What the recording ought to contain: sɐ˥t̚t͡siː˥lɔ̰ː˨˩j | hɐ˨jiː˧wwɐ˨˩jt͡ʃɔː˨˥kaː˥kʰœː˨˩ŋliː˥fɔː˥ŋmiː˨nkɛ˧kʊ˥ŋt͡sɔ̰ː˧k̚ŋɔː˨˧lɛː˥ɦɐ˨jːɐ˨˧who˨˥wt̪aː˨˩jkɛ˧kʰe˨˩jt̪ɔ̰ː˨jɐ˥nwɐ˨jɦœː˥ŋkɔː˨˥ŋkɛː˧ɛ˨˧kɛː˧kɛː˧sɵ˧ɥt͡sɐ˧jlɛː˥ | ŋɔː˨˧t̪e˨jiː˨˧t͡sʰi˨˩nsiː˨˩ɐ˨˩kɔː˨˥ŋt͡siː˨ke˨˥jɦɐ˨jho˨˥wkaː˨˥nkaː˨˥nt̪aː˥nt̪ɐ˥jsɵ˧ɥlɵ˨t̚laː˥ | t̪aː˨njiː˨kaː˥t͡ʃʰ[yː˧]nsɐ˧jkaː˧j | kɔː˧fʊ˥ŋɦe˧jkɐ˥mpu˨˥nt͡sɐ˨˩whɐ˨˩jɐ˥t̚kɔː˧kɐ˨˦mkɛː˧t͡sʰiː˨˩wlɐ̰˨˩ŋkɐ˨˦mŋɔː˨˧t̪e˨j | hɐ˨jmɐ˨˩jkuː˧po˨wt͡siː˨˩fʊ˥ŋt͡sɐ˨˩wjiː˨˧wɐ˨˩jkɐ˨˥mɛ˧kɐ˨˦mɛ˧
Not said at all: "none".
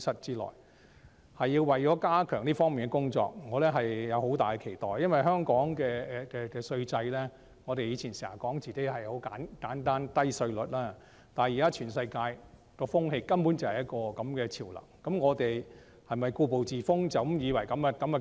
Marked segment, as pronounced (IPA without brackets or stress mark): yː˨˩